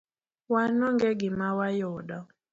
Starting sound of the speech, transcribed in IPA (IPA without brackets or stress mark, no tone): w